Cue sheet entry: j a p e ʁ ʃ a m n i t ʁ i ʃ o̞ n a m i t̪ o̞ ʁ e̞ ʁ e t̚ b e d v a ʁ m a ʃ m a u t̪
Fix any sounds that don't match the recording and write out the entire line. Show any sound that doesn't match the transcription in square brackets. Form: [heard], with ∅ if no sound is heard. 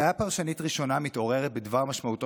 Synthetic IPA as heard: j a p [a] ʁ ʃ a [∅] n i t ʁ i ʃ o̞ n a m i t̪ o̞ ʁ e̞ ʁ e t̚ b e d v a ʁ m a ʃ m a u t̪